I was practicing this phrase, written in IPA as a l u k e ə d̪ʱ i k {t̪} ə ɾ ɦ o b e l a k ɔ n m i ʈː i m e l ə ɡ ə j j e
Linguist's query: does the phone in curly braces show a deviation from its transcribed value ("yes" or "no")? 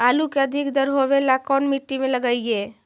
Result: yes